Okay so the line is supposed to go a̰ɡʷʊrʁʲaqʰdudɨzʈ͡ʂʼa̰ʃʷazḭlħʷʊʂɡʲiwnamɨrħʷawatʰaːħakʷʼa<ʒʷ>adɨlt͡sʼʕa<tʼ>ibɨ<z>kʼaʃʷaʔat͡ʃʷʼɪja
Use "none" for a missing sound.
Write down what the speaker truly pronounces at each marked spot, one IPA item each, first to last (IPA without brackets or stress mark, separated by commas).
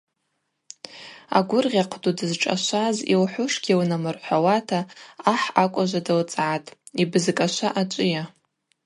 ʒʷ, tʼ, z